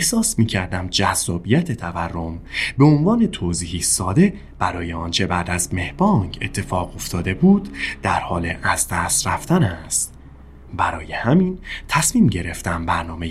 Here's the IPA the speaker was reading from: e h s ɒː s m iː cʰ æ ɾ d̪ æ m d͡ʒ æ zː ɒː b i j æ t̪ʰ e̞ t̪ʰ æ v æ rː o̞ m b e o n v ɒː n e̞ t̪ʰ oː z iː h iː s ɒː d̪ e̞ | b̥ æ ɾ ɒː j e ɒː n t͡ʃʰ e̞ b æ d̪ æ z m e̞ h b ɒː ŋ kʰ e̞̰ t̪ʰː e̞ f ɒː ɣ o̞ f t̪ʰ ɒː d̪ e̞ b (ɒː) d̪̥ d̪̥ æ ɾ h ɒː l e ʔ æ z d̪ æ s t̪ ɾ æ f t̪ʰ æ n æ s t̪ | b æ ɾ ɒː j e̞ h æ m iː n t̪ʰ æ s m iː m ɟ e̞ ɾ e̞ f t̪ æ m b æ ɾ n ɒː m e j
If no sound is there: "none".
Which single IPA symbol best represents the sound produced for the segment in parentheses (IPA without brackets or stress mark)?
uː